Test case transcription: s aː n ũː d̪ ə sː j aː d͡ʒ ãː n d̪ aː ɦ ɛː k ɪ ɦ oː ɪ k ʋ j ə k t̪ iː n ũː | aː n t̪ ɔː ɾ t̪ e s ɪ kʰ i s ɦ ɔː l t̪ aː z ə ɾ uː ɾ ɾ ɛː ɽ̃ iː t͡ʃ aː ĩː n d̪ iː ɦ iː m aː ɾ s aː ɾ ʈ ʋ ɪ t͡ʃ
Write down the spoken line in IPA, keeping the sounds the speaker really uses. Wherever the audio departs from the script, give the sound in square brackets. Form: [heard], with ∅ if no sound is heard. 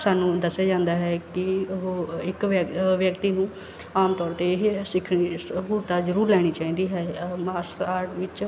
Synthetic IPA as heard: s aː n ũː d̪ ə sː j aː d͡ʒ ãː n d̪ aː ɦ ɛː k ɪ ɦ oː ɪ k ʋ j ə k t̪ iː n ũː | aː [m] t̪ ɔː ɾ t̪ e s ɪ kʰ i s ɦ [uː] l t̪ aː z ə ɾ uː ɾ [l] ɛː ɽ̃ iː t͡ʃ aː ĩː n d̪ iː ɦ [ɛː] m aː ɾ s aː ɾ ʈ ʋ ɪ t͡ʃ